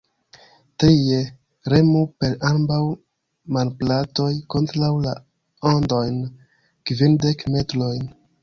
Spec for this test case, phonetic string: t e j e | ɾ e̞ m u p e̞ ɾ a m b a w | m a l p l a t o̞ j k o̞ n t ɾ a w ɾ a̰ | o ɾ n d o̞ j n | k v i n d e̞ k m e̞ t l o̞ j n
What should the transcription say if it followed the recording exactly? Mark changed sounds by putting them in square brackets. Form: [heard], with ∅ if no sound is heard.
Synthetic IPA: t e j e | ɾ e̞ m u p e̞ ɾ a m b a w | m a l p l a t o̞ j k o̞ n t ɾ a w [l] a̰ | o [∅] n d o̞ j n | k v i n d e̞ k m e̞ t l o̞ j n

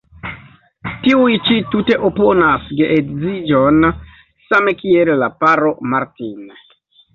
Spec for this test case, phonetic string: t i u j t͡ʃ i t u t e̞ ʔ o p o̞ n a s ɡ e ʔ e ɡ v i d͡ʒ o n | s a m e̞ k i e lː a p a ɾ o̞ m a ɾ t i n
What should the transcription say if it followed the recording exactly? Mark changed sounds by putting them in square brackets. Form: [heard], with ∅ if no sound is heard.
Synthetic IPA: t i u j t͡ʃ i t u t e̞ ʔ o p o̞ n a s ɡ e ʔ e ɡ [z] i d͡ʒ o n | s a m e̞ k i e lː a p a ɾ o̞ m a ɾ t i n

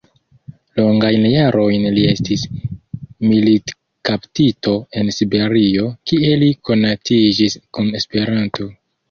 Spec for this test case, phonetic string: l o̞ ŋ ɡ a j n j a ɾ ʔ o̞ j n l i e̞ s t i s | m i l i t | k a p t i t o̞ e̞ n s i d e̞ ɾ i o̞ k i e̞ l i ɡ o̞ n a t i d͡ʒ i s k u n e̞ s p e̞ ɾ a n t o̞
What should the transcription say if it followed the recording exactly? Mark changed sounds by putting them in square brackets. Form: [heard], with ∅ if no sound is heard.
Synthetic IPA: l o̞ ŋ ɡ a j n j a ɾ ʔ o̞ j n l i e̞ s t i s | m i l i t | k a p t i t o̞ e̞ n s i [b] e̞ ɾ i o̞ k i e̞ l i [k] o̞ n a t i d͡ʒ i s k u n e̞ s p e̞ ɾ a n t o̞

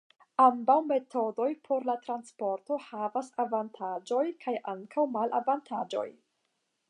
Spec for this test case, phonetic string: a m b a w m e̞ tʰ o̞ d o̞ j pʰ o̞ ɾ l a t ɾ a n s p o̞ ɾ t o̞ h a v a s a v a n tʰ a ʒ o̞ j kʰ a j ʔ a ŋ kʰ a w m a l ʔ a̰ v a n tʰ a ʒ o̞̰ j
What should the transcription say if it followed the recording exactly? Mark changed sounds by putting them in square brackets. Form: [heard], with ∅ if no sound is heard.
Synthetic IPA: a m b a w m e̞ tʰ o̞ d o̞ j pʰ o̞ ɾ l a t ɾ a n s p o̞ ɾ t o̞ h a v a s a v a n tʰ a [d͡ʒ] o̞ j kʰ a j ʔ a ŋ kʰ a w m a l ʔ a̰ v a n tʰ a [d͡ʒ] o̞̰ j

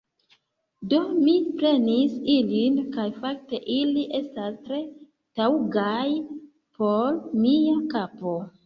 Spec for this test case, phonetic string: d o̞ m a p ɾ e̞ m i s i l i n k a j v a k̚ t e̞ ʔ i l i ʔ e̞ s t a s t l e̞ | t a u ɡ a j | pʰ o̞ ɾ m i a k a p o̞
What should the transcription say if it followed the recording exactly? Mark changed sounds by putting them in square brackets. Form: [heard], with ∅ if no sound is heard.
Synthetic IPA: d o̞ m [i] p ɾ e̞ [n] i s i l i n k a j [f] a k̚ t e̞ ʔ i l i ʔ e̞ s t a s t [ɾ] e̞ | t a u ɡ a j | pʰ o̞ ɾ m i a k a p o̞

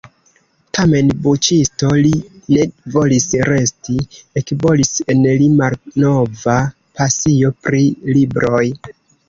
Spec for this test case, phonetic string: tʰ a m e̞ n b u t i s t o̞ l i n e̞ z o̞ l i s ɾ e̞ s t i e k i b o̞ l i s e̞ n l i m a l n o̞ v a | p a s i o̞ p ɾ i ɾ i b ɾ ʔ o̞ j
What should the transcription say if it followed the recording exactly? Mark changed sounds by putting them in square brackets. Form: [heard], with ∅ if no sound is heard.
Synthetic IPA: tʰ a m e̞ n b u [t͡ʃ] i s t o̞ l i n e̞ [v] o̞ l i s ɾ e̞ s t i e k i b o̞ l i s e̞ n l i m a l n o̞ v a | p a s i o̞ p ɾ i [l] i b ɾ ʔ o̞ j

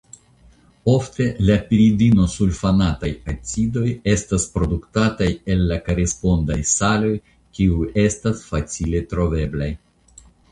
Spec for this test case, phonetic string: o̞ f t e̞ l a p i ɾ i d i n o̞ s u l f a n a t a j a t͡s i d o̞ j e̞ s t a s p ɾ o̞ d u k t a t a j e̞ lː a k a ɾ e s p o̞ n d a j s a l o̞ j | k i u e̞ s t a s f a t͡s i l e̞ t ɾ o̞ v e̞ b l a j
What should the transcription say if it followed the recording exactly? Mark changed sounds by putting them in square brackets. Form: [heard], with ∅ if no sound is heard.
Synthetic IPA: o̞ f t e̞ l a p i ɾ i d i n o̞ s u l f a n a t a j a t͡s i d o̞ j e̞ s t a s p ɾ o̞ d u k t a t a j e̞ lː a k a ɾ e s p o̞ n d a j s a l o̞ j | k i u e̞ s t a s f a t͡s i l e̞ t ɾ o̞ v e̞ b l a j

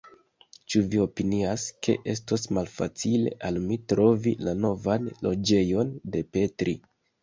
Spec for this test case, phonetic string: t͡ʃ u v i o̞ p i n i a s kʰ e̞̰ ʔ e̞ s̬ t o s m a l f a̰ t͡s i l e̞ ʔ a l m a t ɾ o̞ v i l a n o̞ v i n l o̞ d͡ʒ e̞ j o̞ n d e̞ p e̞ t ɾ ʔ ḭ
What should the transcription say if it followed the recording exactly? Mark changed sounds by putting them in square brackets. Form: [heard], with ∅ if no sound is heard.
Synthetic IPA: t͡ʃ u v i o̞ p i n i a s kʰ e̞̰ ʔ e̞ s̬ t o s m a l f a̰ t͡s i l e̞ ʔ a l m [i] t ɾ o̞ v i l a n o̞ v [a] n l o̞ d͡ʒ e̞ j o̞ n d e̞ p e̞ t ɾ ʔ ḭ

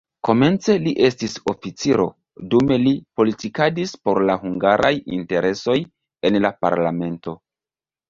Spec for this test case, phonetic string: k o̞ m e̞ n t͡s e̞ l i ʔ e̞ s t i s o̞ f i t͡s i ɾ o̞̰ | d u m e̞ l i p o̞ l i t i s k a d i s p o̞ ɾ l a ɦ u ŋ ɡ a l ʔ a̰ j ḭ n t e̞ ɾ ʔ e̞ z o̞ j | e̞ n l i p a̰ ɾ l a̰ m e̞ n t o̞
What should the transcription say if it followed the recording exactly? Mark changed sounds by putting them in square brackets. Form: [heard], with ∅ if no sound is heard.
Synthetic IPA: k o̞ m e̞ n t͡s e̞ l i ʔ e̞ s t i s o̞ f i t͡s i ɾ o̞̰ | d u m e̞ l i p o̞ l i t i [∅] k a d i s p o̞ ɾ l a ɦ u ŋ ɡ a [ɾ] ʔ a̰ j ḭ n t e̞ ɾ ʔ e̞ [s] o̞ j | e̞ n l [a] p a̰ ɾ l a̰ m e̞ n t o̞

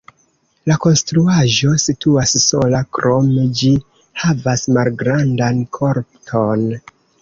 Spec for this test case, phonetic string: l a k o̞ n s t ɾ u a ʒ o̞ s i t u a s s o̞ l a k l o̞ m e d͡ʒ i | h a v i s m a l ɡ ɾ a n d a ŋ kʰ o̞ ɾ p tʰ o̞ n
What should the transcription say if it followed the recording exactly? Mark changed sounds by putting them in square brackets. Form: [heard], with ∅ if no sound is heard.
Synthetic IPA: l a k o̞ n s t ɾ u a ʒ o̞ s i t u a s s o̞ l a k [ɾ] o̞ m e d͡ʒ i | h a v [a] s m a l ɡ ɾ a n d a [n] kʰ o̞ ɾ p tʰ o̞ n

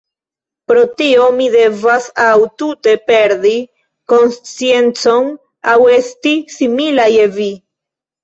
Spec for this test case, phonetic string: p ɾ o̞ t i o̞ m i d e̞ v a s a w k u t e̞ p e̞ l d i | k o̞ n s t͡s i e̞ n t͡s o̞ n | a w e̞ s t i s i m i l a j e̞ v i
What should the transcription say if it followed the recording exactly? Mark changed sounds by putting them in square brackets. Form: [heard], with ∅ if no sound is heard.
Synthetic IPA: p ɾ o̞ t i o̞ m i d e̞ v a s a w [t] u t e̞ p e̞ [ɾ] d i | k o̞ n s t͡s i e̞ n t͡s o̞ n | a w e̞ s t i s i m i l a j e̞ v i

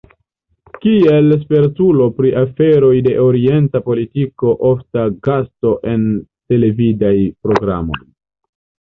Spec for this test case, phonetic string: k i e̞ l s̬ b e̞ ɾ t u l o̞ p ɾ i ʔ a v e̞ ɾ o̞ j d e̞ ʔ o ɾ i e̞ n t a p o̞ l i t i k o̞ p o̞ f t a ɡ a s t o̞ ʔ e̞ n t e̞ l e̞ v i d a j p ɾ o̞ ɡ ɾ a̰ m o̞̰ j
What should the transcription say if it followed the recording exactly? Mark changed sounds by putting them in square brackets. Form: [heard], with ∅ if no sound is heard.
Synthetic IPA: k i e̞ l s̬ [p] e̞ ɾ t u l o̞ p ɾ i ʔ a [f] e̞ ɾ o̞ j d e̞ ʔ o ɾ i e̞ n t a p o̞ l i t i k o̞ [ʔ] o̞ f t a ɡ a s t o̞ ʔ e̞ n t e̞ l e̞ v i d a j p ɾ o̞ ɡ ɾ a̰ m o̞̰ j

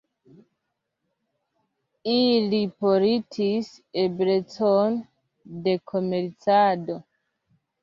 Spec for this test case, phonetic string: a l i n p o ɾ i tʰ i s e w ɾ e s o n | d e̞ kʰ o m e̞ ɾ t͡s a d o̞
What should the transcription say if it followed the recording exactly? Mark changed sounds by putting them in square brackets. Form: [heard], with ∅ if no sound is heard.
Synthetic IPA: [i] l i [∅] p o ɾ i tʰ i s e [b] ɾ e [t͡s] o n | d e̞ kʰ o m e̞ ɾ t͡s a d o̞

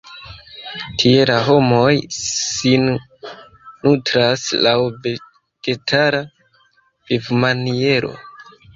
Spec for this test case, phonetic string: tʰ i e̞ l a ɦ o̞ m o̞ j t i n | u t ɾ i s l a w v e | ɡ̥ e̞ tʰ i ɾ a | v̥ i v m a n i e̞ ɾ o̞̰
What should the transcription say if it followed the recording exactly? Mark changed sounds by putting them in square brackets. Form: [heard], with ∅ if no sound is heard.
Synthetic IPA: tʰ i e̞ l a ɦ o̞ m o̞ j [s] i n | u t ɾ [a] s l a w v e | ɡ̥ e̞ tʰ [a] ɾ a | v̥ i v m a n i e̞ ɾ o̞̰

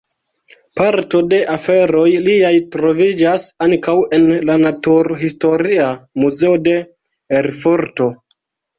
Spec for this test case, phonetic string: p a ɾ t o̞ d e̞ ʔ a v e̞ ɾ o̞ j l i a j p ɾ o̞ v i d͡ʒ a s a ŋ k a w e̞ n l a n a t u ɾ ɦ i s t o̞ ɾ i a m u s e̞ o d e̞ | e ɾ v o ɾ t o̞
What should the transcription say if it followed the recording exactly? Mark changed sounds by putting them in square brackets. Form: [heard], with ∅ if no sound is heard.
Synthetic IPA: p a ɾ t o̞ d e̞ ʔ a [f] e̞ ɾ o̞ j l i a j [t] ɾ o̞ v i d͡ʒ a s a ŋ k a w e̞ n l a n a t u ɾ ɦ i s t o̞ ɾ i a m u [z] e̞ o d e̞ | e ɾ [f] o ɾ t o̞

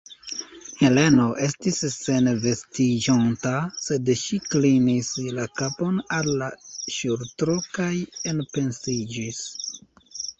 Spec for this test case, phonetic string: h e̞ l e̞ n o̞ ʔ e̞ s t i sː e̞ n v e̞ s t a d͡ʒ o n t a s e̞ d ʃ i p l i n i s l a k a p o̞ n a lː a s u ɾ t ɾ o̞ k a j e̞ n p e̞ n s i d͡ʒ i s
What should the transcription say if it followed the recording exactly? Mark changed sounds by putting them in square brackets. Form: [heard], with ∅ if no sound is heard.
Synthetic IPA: h e̞ l e̞ n o̞ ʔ e̞ s t i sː e̞ n v e̞ s t [i] d͡ʒ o n t a s e̞ d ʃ i [k] l i n i s l a k a p o̞ n a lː a [ʃ] u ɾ t ɾ o̞ k a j e̞ n p e̞ n s i d͡ʒ i s

